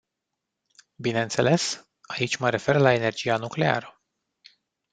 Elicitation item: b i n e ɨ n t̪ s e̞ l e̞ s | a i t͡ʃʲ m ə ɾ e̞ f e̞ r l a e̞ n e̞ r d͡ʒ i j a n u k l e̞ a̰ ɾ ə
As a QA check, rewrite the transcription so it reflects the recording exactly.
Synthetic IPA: b i n e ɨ n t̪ s e̞ l e̞ s | a i t͡ʃʲ m ə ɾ e̞ f e̞ r l a e̞ n e̞ r d͡ʒ i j a n u k l e̞ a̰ ɾ ə